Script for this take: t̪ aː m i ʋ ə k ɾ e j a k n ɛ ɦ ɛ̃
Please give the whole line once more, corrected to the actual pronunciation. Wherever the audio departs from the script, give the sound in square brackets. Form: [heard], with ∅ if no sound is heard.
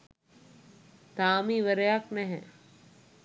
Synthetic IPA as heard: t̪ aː m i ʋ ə [∅] ɾ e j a k n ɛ ɦ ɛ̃